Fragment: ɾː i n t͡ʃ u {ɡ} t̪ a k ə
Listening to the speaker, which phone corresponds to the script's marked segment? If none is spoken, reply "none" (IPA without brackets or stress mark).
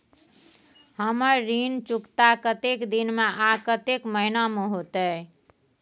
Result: k